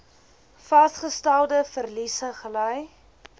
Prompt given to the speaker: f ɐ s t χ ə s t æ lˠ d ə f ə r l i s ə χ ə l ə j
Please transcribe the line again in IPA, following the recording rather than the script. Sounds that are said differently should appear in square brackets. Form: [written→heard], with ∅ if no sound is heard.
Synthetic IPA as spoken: f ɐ s t χ ə s t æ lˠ d ə f ə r l i s ə χ ə l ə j